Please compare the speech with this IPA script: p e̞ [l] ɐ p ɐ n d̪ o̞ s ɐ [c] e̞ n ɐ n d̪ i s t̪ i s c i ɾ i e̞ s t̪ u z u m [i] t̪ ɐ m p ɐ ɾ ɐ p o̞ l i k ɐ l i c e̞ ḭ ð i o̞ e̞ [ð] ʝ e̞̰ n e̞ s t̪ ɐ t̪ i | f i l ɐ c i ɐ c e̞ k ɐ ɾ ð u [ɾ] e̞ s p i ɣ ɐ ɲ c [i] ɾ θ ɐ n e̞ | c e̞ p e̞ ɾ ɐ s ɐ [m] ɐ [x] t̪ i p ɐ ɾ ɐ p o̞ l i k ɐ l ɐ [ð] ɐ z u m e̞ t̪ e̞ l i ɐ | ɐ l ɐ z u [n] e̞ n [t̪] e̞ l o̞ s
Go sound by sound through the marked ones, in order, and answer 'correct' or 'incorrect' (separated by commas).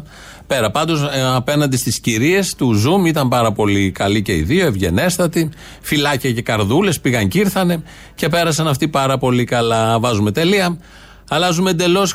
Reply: incorrect, incorrect, correct, incorrect, incorrect, correct, incorrect, incorrect, incorrect, incorrect, incorrect